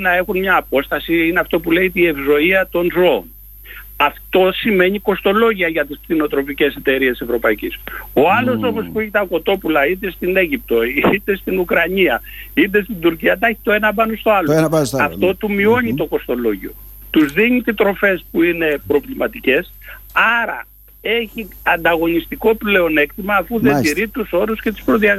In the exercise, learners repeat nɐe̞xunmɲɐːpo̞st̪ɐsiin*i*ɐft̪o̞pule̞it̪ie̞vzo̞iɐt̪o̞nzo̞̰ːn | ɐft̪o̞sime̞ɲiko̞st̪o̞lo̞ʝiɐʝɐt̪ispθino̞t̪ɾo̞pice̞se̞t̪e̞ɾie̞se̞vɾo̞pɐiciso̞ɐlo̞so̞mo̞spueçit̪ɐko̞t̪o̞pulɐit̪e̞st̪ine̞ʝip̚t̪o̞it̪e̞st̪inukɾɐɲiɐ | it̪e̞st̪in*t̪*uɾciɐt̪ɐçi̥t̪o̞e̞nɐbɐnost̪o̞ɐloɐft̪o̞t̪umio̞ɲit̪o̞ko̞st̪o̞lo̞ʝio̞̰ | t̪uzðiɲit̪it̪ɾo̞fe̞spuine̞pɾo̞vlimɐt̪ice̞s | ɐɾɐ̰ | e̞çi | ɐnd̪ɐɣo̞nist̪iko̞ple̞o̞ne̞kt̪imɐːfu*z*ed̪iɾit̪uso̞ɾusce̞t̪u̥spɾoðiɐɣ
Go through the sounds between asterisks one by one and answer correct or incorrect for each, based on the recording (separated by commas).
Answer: incorrect, incorrect, incorrect